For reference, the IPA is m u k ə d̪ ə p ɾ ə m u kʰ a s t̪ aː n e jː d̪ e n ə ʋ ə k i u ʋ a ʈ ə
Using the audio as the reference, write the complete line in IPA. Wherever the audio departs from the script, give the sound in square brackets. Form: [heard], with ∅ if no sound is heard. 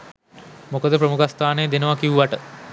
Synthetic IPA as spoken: m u k ə d̪ ə p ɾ ə m u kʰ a s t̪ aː n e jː d̪ e n ə ʋ [a] k i u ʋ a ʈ ə